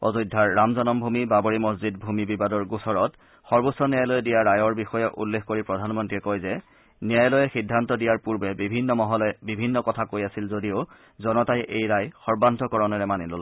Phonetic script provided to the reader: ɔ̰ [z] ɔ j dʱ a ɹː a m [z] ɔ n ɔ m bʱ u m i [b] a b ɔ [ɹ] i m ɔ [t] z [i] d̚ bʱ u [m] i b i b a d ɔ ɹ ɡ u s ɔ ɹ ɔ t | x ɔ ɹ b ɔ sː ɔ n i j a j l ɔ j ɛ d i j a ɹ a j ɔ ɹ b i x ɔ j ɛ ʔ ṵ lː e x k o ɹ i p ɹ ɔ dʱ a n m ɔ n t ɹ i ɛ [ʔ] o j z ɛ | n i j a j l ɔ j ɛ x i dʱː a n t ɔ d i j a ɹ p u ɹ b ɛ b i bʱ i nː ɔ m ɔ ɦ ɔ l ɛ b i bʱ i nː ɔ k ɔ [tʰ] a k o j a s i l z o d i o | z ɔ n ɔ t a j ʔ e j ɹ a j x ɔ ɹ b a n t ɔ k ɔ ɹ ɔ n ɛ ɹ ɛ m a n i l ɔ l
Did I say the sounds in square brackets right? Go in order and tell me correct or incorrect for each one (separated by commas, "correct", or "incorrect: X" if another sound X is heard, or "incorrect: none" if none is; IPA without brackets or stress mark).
correct, correct, correct, correct, incorrect: s, correct, correct, incorrect: k, correct